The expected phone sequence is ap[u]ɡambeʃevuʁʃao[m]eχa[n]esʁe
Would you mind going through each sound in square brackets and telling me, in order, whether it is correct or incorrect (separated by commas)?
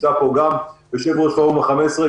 incorrect, correct, incorrect